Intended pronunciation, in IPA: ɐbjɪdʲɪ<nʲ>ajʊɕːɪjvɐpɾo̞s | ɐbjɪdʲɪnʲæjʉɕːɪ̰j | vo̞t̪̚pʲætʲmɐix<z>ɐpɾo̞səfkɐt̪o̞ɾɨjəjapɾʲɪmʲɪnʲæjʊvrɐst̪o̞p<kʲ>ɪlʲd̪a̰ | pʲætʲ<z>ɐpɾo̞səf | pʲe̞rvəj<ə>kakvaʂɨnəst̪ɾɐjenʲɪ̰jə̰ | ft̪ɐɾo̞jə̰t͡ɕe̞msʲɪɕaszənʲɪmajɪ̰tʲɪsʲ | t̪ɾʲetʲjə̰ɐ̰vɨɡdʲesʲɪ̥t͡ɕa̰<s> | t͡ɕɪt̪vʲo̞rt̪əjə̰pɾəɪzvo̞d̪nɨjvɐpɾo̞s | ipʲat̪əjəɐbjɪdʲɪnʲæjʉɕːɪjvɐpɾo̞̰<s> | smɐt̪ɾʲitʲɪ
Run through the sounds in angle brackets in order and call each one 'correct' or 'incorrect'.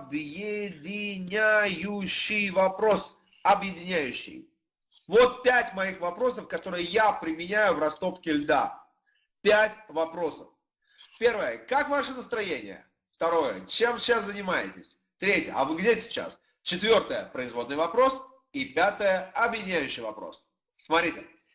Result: correct, incorrect, correct, incorrect, correct, correct, correct

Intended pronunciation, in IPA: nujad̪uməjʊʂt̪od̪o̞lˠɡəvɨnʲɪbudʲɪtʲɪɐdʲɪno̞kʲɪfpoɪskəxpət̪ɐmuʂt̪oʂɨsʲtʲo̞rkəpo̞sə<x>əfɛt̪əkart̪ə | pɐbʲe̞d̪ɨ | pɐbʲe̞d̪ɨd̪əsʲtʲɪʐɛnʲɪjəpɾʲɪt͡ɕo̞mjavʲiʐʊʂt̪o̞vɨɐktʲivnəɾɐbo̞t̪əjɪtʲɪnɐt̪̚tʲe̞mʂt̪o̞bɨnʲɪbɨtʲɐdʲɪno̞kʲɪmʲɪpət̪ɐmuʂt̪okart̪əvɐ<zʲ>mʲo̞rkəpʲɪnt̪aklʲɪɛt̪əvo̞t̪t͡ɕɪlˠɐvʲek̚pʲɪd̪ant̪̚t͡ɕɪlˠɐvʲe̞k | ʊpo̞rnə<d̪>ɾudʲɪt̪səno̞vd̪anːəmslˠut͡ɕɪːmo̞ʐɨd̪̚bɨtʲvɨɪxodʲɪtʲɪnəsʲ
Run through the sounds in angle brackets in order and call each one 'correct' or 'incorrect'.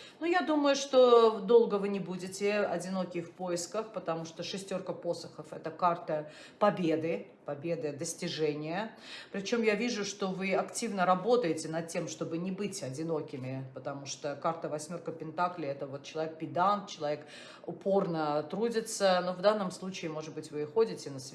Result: correct, incorrect, incorrect

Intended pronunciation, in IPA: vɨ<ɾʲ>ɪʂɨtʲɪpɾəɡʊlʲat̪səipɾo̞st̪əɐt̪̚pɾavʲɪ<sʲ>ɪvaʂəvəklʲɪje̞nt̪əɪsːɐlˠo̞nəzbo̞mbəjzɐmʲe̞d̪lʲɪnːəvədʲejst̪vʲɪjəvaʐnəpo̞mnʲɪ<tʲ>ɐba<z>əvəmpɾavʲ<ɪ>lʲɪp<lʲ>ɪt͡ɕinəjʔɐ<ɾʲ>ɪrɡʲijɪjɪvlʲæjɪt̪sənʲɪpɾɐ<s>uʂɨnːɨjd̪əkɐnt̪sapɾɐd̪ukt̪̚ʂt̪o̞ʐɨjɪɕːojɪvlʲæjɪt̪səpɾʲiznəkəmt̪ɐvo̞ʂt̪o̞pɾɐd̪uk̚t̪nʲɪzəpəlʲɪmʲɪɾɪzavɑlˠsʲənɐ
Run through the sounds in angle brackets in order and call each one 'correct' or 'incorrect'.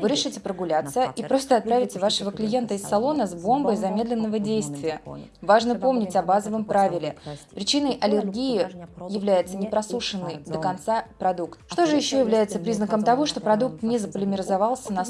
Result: correct, incorrect, correct, correct, correct, incorrect, incorrect, correct

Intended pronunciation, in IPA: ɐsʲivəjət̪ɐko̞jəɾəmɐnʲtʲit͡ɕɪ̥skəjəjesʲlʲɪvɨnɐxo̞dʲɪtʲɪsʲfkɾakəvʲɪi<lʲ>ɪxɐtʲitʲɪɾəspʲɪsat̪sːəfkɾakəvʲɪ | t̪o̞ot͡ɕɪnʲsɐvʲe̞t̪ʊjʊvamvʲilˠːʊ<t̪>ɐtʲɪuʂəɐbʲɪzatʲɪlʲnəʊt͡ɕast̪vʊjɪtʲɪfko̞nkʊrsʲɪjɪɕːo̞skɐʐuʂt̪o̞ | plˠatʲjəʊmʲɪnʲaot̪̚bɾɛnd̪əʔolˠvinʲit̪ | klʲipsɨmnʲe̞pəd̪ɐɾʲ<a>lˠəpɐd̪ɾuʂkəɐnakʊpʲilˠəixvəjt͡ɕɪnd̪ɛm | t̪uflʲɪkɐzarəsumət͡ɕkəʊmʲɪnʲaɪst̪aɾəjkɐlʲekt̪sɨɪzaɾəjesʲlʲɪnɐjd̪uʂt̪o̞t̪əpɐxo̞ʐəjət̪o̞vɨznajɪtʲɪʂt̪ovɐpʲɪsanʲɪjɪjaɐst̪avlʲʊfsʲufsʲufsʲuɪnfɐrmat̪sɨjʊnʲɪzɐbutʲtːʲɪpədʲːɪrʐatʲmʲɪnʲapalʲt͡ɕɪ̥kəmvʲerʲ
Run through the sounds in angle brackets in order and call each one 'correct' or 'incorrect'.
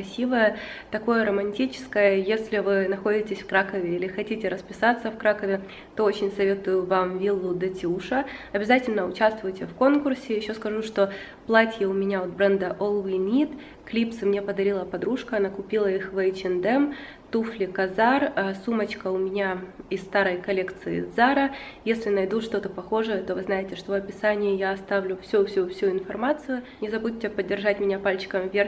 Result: correct, incorrect, incorrect

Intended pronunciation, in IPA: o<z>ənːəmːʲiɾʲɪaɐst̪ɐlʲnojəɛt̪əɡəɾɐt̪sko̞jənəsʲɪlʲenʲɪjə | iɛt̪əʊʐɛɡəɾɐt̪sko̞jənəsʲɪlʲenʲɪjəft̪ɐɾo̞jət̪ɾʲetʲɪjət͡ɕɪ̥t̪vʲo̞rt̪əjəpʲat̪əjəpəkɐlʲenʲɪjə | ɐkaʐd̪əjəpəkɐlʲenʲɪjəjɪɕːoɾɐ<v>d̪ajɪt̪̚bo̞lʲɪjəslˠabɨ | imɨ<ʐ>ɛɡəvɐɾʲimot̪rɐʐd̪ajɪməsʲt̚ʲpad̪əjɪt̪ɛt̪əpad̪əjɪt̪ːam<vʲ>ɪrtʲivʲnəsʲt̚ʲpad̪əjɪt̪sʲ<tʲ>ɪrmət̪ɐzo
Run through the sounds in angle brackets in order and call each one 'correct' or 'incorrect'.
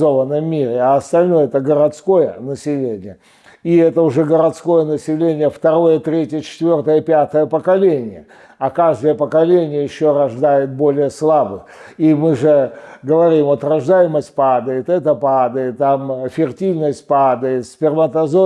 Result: incorrect, incorrect, correct, incorrect, incorrect

